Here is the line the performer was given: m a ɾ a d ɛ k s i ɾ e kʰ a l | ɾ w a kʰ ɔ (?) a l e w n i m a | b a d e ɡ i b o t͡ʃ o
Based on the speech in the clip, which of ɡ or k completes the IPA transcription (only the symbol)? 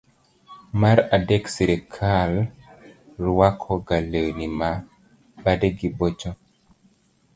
ɡ